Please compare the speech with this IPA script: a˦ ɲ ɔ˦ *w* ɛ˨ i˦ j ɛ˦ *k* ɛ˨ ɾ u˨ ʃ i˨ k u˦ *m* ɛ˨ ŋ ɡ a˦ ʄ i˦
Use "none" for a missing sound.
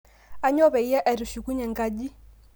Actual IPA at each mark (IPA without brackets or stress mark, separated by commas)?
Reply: β, ʔ, ɲ